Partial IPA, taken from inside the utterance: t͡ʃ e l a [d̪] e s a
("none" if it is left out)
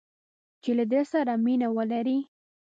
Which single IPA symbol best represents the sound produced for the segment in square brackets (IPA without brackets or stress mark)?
d̪